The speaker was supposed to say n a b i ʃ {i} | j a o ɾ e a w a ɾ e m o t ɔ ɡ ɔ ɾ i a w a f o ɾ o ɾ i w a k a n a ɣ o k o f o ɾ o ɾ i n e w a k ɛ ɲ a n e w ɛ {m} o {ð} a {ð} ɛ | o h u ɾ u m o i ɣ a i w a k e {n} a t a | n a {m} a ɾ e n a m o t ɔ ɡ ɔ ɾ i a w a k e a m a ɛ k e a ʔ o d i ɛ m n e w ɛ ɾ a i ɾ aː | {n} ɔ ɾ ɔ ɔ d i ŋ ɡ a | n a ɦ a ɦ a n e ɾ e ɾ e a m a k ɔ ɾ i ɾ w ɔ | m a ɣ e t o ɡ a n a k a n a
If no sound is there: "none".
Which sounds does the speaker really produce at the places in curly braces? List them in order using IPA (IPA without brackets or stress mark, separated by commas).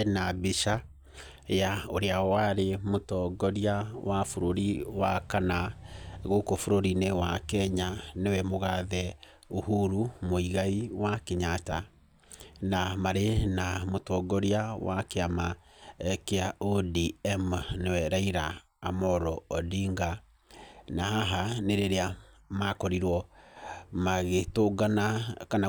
a, m, ɣ, ð, ɲ, m, m